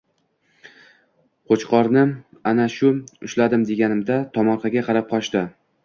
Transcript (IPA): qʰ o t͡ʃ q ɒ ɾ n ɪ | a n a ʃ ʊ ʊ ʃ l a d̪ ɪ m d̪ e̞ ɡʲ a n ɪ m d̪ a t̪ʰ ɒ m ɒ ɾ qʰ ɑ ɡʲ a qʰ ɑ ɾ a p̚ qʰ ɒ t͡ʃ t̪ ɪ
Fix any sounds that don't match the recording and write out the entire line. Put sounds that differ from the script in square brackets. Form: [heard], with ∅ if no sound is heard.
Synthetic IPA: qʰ o t͡ʃ q ɒ ɾ n ɪ | a n a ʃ ʊ ʊ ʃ l a d̪ ɪ m d̪ e̞ ɡʲ a n ɪ m d̪ a t̪ʰ ɒ m ɒ ɾ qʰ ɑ ɡʲ a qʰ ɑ ɾ a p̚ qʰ ɒ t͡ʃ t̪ ɪ